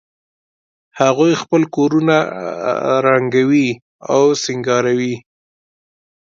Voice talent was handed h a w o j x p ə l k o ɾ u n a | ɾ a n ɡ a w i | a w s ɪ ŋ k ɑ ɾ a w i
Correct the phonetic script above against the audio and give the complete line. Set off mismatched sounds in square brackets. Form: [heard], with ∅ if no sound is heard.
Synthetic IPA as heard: h a [ɣ] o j x p ə l k o ɾ u n a | ɾ a [ŋ] ɡ a w i | a w s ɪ ŋ [ɡ] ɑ ɾ a w i